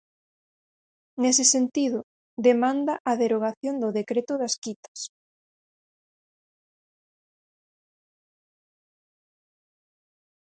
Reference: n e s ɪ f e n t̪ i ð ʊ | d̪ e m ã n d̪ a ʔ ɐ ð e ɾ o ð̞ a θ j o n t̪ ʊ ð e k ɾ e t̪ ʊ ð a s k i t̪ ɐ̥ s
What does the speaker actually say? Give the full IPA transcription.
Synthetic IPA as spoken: n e s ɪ s e n t̪ i ð ʊ | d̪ e m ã n d̪ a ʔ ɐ ð e ɾ o ɣ̞ a θ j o n d̪ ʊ ð e k ɾ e t̪ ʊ ð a s k i t̪ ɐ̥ s